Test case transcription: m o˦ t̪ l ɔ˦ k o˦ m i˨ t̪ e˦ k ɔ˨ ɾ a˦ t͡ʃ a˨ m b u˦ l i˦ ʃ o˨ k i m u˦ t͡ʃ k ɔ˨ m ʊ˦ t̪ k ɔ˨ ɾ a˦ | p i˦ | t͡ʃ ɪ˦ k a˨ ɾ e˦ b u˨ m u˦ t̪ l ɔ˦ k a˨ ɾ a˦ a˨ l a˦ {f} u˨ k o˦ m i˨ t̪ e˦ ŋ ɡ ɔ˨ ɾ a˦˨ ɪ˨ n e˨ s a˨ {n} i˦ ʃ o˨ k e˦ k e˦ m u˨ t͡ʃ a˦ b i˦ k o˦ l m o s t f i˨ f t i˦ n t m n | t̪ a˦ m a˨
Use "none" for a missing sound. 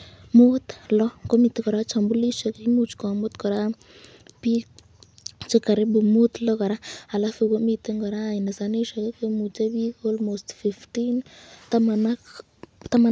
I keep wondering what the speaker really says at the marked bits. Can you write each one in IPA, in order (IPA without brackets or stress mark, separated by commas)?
f, n